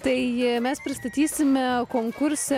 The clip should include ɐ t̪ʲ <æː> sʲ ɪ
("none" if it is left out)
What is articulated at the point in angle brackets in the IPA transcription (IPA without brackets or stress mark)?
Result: iː